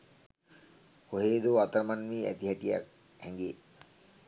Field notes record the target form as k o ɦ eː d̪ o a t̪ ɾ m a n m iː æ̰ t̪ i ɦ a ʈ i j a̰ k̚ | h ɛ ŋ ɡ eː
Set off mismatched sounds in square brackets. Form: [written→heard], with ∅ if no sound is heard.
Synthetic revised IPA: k o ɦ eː d̪ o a t̪ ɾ m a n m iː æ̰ t̪ i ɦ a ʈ i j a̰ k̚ | h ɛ ŋ ɡ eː